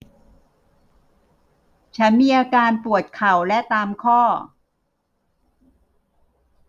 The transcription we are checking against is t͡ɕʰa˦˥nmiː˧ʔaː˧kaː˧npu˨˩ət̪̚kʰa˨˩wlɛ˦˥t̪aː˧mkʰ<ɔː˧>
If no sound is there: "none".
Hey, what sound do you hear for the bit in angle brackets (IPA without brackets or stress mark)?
ɔː˥˩